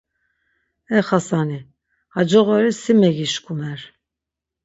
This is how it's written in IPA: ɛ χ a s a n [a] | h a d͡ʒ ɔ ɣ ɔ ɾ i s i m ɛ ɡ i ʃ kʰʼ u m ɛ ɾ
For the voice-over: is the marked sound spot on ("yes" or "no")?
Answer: no